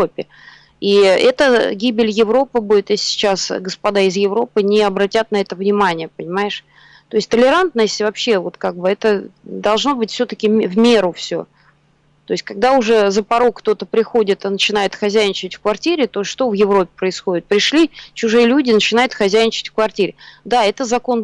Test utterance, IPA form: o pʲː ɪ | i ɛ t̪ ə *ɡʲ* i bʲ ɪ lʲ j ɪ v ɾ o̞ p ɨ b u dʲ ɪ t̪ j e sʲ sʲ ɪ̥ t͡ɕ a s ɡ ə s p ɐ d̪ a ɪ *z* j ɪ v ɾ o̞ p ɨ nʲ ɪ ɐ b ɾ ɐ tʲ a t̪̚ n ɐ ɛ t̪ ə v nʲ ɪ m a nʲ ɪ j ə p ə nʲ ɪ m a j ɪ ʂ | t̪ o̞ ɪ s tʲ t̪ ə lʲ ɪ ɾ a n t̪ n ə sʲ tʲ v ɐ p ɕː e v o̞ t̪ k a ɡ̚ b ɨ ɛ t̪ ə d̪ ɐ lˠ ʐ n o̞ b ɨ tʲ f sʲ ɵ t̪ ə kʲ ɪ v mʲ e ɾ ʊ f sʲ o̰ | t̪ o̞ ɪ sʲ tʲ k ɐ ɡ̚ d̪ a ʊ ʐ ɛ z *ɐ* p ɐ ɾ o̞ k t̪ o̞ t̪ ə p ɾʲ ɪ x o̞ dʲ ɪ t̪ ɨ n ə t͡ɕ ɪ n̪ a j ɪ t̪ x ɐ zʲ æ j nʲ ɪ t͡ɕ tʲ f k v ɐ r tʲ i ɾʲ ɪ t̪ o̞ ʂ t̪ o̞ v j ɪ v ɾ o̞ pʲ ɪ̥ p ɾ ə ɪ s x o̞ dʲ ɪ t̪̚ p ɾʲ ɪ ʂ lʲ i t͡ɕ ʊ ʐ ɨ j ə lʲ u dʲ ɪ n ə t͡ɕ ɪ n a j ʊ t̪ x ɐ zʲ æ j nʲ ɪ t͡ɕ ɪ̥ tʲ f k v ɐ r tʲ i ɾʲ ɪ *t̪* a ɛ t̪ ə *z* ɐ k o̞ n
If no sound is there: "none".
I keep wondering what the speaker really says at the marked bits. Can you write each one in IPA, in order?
ɡʲ, z, ə, d̪, z

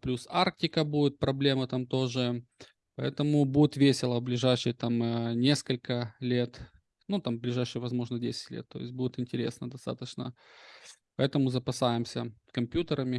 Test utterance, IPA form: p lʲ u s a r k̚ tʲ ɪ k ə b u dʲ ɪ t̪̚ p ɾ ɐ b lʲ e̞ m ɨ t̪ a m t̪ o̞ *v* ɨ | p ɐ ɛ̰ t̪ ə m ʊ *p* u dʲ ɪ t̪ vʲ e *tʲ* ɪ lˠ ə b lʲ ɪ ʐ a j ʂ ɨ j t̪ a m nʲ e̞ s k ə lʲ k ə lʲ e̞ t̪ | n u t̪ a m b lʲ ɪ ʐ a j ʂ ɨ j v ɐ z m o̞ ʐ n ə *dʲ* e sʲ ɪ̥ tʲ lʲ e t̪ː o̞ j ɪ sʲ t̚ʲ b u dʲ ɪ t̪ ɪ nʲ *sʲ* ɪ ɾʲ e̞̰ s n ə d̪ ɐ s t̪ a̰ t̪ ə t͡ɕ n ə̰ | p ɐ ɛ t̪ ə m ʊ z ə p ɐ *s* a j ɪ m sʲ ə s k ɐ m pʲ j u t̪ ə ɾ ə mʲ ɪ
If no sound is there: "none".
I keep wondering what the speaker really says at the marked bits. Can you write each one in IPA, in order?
ʐ, b, sʲ, dʲ, tʲ, s

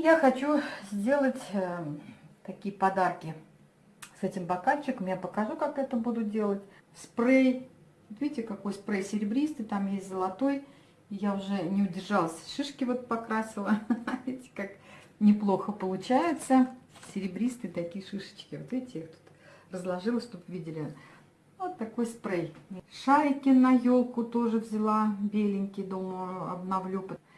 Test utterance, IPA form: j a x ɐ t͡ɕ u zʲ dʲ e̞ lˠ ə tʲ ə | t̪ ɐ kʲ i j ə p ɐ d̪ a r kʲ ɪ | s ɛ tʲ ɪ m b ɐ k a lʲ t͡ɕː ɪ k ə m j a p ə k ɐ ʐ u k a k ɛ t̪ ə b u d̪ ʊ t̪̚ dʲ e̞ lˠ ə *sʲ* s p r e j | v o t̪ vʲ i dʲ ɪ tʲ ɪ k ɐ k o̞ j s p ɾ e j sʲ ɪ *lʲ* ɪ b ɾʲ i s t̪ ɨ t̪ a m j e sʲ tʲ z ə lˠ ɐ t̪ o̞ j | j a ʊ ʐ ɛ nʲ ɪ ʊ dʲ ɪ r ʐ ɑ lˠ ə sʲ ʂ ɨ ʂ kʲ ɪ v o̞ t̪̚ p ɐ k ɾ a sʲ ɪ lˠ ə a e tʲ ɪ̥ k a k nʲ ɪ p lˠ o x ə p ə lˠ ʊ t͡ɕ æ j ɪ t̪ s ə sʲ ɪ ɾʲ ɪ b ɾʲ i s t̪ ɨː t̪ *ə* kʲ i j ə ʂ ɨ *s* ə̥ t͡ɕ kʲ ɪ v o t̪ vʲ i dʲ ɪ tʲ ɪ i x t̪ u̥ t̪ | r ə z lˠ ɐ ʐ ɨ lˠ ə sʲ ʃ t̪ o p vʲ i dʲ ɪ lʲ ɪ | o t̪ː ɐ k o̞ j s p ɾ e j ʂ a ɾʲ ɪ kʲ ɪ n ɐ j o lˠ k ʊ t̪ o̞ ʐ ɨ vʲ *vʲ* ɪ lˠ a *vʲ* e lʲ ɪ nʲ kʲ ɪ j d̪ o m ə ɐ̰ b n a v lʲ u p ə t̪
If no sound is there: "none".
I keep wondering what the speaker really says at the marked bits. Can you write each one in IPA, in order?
tʲ, ɾʲ, ɐ, ʂ, zʲ, bʲ

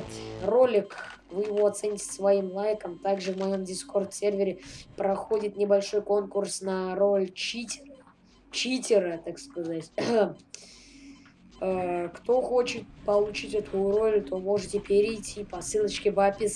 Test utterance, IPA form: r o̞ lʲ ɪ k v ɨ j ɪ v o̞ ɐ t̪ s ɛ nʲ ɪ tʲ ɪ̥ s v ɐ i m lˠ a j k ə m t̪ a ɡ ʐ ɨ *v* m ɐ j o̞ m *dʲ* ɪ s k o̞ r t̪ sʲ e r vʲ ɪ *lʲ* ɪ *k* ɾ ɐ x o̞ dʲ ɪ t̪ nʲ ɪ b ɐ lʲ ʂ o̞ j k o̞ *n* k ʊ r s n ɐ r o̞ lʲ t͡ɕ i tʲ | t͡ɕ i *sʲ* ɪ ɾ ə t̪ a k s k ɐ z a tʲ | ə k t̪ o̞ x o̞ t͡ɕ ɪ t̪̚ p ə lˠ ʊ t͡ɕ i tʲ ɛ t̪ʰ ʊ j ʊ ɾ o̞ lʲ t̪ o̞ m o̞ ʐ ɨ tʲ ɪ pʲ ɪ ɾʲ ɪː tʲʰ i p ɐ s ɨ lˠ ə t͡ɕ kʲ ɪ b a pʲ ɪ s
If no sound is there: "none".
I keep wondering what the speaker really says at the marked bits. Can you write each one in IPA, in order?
v, dʲ, ɾʲ, p, n, tʲ

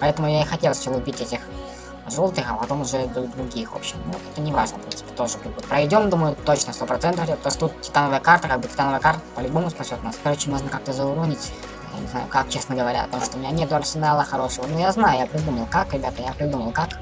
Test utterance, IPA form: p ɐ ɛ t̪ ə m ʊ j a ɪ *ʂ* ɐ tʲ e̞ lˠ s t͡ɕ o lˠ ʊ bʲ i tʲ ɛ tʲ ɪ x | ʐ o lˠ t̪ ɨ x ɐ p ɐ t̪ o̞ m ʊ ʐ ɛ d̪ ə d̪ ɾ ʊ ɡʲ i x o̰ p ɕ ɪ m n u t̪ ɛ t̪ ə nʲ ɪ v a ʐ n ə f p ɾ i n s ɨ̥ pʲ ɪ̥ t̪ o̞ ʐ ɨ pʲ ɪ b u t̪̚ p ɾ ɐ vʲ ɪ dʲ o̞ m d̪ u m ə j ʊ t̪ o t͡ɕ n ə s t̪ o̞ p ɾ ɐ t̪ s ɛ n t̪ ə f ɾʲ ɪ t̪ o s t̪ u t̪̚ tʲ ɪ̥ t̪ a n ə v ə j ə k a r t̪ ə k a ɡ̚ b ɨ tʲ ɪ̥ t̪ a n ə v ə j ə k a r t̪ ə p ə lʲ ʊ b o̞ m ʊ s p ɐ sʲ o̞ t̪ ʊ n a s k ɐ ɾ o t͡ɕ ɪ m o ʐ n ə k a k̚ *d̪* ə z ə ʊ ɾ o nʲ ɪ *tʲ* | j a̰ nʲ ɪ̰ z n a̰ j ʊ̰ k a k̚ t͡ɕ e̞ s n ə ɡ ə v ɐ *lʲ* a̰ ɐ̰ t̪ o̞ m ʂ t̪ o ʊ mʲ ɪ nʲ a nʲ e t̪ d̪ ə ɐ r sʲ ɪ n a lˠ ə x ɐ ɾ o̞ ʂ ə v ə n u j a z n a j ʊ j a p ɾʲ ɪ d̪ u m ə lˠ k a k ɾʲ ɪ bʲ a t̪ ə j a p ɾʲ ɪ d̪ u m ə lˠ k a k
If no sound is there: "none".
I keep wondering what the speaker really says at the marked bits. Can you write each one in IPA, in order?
x, t̪, tʲ, ɾʲ

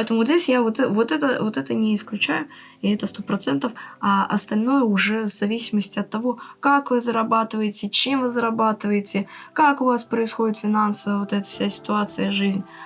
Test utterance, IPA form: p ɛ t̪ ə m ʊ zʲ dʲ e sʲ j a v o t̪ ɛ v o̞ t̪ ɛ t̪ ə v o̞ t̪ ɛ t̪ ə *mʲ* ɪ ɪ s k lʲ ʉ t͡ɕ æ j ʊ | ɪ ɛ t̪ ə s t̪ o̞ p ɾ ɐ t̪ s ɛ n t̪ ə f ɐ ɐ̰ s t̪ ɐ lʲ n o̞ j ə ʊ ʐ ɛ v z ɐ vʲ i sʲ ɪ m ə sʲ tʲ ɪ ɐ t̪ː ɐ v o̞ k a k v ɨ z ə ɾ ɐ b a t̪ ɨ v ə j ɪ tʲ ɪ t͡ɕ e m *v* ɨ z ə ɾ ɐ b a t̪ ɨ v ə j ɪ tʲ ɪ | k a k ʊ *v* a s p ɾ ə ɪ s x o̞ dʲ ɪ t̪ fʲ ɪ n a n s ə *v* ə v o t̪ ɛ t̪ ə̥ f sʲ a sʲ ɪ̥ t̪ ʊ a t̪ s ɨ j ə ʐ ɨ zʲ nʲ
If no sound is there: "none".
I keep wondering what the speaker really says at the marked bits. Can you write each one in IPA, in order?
nʲ, v, v, v

